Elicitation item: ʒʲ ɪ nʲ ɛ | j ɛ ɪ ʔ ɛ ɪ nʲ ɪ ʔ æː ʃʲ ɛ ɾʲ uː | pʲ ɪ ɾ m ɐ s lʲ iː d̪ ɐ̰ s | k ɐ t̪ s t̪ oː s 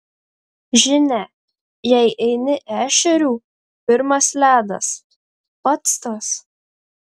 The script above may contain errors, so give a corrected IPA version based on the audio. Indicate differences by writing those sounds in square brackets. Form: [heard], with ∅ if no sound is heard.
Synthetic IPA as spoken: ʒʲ ɪ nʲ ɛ | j ɛ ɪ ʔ ɛ ɪ nʲ ɪ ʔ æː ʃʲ ɛ ɾʲ uː | pʲ ɪ ɾ m ɐ s lʲ [æː] d̪ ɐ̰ s | [p] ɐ t̪ s t̪ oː s